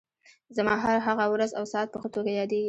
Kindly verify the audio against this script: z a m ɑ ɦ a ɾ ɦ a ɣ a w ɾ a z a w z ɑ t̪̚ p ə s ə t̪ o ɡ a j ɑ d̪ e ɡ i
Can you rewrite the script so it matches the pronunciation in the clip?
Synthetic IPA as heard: z a m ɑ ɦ a ɾ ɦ a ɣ a w ɾ a z a w s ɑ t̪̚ p ə x ə t̪ o ɡ a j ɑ d̪ e ɡ i

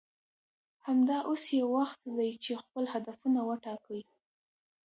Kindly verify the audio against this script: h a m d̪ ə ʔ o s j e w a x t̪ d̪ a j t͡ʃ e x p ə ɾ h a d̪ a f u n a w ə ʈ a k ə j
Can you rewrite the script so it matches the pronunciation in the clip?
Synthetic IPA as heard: h a m d̪ ɑ ʔ o s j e w a x t̪ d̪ a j t͡ʃ e x p ə l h a d̪ a f u n a w ə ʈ ɑ k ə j

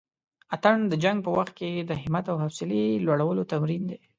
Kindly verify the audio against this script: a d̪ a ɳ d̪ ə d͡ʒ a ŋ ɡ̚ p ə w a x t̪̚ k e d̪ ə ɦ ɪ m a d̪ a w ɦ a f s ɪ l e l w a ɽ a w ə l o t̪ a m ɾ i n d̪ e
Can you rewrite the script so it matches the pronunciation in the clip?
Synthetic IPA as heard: a t̪ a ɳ d̪ ə d͡ʒ a ŋ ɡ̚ p ə w a x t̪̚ k e d̪ ə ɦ ɪ m a t̪ a w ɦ a f s ɪ l e l w a ɽ a w ə l o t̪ a m ɾ i n d̪ e

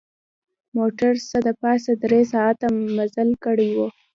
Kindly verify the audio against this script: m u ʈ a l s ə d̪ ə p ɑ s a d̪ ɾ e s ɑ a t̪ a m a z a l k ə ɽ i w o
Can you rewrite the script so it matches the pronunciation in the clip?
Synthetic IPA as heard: m o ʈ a ɾ s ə d̪ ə p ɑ s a d̪ ɾ e s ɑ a t̪ a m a z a l k ə ɽ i w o

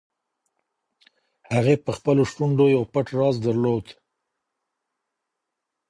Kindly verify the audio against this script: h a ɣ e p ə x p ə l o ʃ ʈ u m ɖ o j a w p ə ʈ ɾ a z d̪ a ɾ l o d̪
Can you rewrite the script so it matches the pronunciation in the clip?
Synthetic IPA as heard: h a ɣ e p ə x p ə l o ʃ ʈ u ɳ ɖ o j a w p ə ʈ ɾ ɑ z d̪ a ɾ l o d̪

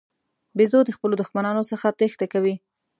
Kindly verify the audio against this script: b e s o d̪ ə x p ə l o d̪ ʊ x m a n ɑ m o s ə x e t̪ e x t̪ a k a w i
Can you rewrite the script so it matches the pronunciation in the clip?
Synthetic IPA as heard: b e z o d̪ ə x p ə l o d̪ ʊ x m a n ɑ n o s ə x a t̪ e x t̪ a k a w i

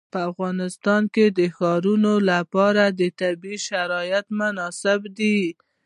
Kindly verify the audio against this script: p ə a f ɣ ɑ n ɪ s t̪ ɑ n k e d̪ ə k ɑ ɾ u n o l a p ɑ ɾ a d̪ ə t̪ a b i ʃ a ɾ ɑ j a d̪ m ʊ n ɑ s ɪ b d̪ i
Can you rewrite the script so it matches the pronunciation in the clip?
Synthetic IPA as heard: p ə a f ɣ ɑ n ɪ s t̪ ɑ n k e d̪ ə x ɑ ɾ u n o l a p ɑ ɾ a d̪ ə t̪ a b i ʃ a ɾ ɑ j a t̪ m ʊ n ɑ s ɪ b d̪ i

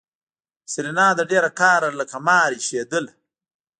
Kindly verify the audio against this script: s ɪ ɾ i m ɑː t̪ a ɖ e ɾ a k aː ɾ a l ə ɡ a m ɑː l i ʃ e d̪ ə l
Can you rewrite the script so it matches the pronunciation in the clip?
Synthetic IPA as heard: s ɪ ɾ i n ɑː d̪ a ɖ e ɾ a k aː ɾ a l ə k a m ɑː ɾ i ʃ e d̪ ə l

